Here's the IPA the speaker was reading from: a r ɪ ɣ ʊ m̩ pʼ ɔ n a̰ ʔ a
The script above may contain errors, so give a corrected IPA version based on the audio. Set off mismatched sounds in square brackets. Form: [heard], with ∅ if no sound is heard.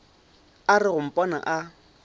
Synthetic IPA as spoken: a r ɪ ɣ ʊ m̩ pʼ ɔ n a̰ ʔ a